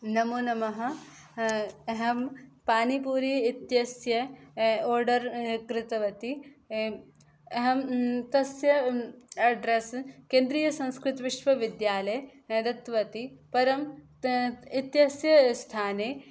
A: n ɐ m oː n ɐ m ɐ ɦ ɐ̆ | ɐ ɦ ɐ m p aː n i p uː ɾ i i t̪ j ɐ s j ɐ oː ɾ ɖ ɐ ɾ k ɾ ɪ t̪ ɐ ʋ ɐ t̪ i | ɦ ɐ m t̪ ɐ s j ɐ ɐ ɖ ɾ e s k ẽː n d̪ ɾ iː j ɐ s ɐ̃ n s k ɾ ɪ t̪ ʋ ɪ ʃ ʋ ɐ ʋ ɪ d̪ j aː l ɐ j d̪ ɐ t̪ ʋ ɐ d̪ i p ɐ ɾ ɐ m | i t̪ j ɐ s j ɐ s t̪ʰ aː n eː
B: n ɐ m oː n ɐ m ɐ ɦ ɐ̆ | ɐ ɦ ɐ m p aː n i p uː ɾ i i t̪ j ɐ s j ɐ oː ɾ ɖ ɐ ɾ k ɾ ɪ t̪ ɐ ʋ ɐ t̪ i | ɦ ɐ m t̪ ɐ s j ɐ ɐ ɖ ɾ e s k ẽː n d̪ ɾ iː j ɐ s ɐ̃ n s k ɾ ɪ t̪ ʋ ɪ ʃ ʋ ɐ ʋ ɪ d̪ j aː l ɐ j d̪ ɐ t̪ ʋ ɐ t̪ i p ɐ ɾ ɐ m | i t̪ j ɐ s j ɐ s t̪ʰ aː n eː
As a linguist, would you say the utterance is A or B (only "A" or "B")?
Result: B